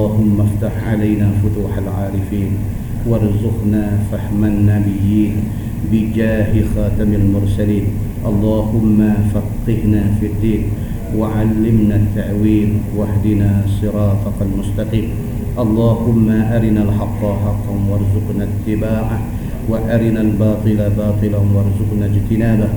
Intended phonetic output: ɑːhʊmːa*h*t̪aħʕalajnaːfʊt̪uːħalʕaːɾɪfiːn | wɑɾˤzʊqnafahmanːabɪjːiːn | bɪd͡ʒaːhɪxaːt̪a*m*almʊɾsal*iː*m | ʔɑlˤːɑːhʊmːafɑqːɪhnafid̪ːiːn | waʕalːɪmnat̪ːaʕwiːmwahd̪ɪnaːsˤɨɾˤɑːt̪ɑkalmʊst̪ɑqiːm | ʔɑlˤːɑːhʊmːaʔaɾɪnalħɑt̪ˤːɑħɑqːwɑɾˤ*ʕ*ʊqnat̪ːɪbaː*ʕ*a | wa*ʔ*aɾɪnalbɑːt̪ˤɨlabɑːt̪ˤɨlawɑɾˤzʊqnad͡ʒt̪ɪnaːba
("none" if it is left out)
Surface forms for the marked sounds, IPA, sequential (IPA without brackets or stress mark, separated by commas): f, m, iː, z, ʕ, ʔ